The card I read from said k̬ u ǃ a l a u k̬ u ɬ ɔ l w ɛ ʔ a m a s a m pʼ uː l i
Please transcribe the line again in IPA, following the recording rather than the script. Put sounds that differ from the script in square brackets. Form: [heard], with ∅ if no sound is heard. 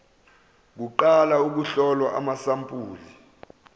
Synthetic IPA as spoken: k̬ u ǃ a l a u k̬ u ɬ ɔ l w [a] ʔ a m a s a m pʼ uː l i